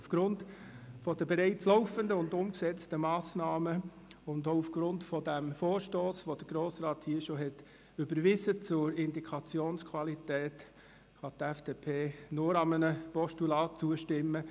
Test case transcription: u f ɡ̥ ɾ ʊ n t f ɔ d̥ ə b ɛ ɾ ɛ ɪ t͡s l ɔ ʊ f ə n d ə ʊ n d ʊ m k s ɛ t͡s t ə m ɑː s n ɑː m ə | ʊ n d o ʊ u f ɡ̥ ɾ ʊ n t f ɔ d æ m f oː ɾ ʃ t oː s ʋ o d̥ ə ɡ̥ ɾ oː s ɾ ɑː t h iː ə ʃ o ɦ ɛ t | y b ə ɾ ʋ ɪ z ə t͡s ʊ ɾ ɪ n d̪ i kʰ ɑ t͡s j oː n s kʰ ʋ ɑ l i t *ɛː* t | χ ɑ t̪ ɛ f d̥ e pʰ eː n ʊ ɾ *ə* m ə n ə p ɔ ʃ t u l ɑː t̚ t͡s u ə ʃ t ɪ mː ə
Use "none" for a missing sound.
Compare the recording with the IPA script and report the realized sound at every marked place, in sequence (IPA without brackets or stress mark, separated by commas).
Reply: ɛː, ɑ